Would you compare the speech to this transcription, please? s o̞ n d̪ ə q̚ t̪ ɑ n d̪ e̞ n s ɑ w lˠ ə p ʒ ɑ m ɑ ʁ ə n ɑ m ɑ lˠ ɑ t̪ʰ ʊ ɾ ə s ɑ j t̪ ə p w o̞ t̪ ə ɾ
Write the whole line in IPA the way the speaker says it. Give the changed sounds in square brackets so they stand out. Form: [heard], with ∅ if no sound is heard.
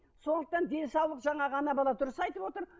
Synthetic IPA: s o̞ n d̪ ə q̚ t̪ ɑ n d̪ e̞ n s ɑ w lˠ ə [q] ʒ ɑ [ɴ] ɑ ʁ [ɑ] n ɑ [b] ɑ lˠ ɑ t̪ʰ ʊ ɾ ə s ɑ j t̪ ə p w o̞ t̪ ə ɾ